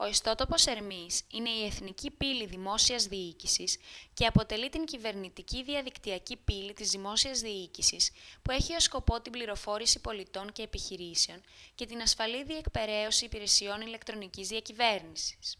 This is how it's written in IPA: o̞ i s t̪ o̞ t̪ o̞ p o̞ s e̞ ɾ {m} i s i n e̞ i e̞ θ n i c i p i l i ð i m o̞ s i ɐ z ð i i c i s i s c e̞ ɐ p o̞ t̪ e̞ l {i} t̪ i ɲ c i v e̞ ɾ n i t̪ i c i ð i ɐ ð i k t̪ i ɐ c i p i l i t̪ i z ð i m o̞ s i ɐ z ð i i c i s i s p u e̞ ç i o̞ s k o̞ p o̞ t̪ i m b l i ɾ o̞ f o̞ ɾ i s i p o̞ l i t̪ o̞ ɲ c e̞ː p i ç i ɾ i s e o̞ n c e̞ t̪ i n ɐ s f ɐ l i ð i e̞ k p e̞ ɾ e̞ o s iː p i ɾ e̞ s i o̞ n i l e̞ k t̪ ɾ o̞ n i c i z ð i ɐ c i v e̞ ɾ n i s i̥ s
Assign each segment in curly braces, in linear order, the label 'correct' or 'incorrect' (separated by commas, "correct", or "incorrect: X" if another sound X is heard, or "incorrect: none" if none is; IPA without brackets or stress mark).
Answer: correct, correct